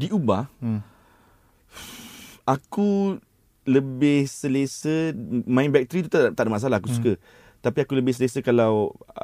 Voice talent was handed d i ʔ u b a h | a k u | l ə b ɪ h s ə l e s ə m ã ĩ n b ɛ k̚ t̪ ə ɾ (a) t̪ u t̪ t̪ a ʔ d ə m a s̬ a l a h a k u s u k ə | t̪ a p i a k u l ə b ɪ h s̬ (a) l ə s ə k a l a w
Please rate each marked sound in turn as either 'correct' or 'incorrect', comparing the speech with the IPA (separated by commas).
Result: incorrect, incorrect